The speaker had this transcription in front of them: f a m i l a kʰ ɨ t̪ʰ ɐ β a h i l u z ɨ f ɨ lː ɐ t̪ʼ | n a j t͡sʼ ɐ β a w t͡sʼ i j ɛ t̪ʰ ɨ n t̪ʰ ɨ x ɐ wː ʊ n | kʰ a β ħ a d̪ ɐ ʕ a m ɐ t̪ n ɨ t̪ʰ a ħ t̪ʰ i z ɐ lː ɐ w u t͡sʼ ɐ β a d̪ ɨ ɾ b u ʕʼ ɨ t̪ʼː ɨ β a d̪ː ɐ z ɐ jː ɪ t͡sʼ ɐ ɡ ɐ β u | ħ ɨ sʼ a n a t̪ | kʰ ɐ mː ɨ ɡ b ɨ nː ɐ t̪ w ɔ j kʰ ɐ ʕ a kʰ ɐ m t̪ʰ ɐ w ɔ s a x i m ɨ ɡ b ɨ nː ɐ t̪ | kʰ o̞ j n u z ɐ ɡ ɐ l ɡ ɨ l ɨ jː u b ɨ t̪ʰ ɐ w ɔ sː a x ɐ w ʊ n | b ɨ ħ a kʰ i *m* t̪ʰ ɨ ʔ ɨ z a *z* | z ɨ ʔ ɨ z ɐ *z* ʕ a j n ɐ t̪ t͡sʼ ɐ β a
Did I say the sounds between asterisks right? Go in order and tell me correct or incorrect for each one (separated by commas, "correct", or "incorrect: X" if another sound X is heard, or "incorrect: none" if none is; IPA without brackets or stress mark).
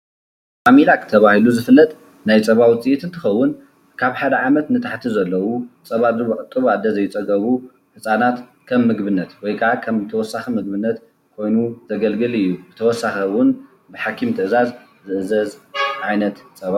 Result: correct, correct, correct